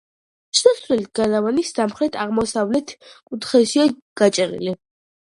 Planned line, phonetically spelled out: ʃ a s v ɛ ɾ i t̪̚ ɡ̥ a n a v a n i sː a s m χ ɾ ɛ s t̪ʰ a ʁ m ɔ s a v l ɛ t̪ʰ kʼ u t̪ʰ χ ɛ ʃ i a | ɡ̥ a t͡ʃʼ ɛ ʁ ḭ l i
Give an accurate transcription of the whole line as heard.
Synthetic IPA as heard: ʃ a s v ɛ l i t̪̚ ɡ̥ a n a v a n i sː a m χ ɾ ɛ t̪ʰ a ʁ m ɔ s a v l ɛ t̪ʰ kʼ u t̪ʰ χ ɛ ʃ i a | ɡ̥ a t͡ʃʼ ɛ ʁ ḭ l i